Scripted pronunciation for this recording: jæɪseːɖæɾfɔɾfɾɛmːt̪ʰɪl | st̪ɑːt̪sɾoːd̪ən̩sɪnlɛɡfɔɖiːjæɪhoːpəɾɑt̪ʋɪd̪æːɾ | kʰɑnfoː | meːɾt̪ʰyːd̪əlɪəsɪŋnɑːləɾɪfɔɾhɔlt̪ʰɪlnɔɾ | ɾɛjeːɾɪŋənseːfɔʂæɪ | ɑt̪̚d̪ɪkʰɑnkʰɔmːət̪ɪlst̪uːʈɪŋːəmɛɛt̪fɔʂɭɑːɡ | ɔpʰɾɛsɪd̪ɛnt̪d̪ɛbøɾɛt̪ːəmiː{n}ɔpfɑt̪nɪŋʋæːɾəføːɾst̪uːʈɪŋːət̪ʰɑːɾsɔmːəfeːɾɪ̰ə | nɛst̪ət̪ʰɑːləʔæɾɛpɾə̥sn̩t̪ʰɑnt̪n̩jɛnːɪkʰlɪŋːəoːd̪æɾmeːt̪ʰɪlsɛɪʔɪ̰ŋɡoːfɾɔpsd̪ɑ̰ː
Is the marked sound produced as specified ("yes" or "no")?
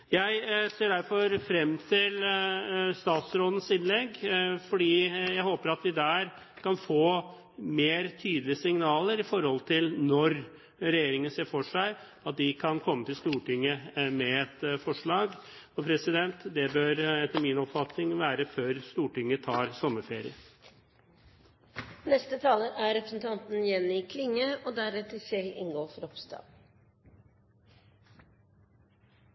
yes